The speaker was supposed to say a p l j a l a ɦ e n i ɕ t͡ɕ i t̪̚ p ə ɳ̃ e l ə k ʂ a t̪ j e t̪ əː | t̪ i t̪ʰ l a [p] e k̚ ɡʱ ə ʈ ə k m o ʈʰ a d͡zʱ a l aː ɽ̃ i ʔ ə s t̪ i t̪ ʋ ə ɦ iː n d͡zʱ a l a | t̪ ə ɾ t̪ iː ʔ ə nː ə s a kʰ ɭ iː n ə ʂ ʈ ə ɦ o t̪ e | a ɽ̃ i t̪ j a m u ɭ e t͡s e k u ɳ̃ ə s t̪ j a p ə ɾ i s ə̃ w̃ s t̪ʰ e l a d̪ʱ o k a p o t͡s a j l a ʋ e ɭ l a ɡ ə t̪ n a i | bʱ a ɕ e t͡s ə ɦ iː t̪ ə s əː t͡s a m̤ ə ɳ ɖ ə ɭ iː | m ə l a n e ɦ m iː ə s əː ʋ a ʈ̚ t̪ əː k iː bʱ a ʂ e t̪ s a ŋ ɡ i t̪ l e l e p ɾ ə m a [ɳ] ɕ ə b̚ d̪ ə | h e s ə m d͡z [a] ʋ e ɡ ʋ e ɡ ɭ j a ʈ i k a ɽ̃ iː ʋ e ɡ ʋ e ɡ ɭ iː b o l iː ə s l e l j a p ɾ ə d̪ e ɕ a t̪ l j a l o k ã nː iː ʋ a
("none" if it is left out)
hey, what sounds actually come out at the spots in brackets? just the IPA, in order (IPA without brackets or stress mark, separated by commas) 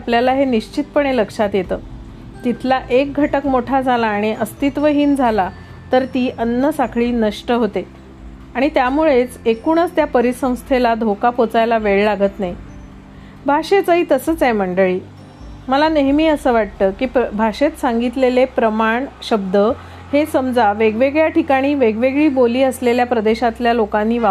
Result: ʔ, ɳ, a